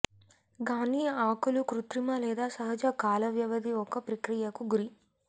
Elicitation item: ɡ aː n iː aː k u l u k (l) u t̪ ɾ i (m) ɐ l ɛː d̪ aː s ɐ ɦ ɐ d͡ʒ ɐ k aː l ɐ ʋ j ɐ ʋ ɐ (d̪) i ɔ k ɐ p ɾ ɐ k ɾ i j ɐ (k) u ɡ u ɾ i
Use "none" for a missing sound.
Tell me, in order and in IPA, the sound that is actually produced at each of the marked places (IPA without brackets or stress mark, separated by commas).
ɾ, m, d̪, k